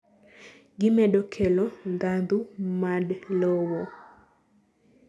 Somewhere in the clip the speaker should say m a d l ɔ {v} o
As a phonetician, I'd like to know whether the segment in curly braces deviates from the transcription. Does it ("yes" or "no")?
yes